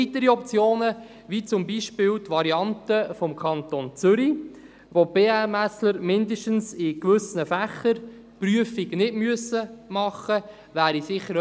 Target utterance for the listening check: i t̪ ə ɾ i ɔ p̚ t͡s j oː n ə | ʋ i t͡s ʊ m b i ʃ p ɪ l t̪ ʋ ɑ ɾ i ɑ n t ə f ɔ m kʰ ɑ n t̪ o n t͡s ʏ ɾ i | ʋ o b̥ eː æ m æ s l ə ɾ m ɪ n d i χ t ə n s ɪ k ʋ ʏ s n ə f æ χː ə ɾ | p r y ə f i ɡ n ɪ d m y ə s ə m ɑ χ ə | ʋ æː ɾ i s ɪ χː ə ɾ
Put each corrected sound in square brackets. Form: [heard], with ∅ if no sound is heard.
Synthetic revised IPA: i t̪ ə ɾ i ɔ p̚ t͡s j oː n ə | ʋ i t͡s ʊ m b i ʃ p ɪ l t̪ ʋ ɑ ɾ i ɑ n t ə f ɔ m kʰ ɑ n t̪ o n t͡s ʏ ɾ i | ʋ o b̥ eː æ m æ s l ə ɾ m ɪ n d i [ʃ] t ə n s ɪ k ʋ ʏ s n ə f æ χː ə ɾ | p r y ə f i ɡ n ɪ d m y ə s ə m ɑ χ ə | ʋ æː ɾ i s ɪ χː ə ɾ